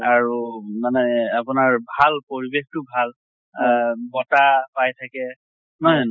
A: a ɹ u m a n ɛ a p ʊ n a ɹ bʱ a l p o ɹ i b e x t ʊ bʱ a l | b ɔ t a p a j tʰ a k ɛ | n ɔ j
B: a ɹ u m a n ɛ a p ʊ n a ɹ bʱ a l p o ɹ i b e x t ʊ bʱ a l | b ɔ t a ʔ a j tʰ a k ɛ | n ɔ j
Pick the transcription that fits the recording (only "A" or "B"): A